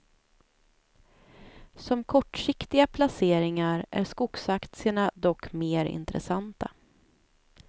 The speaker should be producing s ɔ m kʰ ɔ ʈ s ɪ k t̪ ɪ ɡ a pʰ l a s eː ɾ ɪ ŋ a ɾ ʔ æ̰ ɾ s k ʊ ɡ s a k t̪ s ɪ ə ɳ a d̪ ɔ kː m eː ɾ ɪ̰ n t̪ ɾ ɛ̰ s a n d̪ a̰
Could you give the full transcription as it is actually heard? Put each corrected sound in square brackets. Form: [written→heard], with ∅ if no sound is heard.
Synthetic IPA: s ɔ m kʰ ɔ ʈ [s→ʂ] ɪ k t̪ ɪ ɡ a pʰ l a s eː ɾ ɪ ŋ a ɾ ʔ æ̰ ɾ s k ʊ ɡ s a k t̪ s ɪ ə ɳ a d̪ ɔ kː m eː ɾ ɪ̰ n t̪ ɾ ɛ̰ s a n [d̪→t̪] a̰